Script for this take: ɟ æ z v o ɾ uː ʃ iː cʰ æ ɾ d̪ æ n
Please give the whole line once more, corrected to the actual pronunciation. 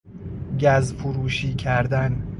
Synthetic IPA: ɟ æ z f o ɾ uː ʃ iː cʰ æ ɾ d̪ æ n